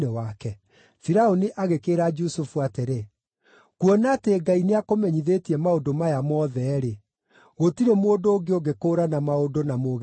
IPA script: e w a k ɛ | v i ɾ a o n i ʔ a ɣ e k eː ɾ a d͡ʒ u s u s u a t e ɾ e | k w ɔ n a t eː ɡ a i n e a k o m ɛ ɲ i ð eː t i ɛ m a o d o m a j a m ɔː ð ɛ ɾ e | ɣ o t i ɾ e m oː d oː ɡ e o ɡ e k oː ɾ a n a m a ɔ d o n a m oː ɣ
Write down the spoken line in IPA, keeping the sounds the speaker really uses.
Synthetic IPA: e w a k ɛ | f i ɾ a o n i ʔ a ɣ e k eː ɾ a d͡ʒ u s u f u a t e ɾ e | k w ɔ n a t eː ɡ a i n e a k o m ɛ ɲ i ð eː t i ɛ m a o d o m a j a m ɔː ð ɛ ɾ e | ɣ o t i ɾ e m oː d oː ɡ e o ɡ e k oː ɾ a n a m a o d o n a m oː ɣ